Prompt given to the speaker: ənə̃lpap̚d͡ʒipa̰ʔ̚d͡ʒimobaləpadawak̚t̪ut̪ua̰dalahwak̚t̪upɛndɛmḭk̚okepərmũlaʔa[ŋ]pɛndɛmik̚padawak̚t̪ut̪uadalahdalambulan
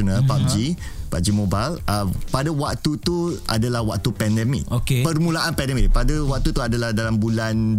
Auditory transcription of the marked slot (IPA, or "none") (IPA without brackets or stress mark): n